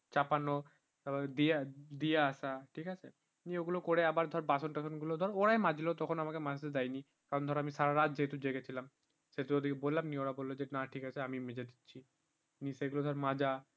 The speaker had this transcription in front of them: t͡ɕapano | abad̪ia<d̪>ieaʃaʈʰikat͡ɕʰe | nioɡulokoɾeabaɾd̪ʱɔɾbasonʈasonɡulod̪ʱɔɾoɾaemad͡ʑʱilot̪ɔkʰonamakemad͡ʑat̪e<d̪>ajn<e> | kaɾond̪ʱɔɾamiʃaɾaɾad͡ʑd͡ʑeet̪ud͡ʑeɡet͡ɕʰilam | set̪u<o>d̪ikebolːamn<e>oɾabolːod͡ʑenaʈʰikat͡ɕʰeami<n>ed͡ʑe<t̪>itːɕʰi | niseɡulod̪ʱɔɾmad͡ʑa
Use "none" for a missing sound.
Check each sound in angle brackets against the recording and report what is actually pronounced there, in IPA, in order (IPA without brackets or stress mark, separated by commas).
d̪, d̪, i, o, i, m, d̪